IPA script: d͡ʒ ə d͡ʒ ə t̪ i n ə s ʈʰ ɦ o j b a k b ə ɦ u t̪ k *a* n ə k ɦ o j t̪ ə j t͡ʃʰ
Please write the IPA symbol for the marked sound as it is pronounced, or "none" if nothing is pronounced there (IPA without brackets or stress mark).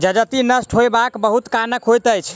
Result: a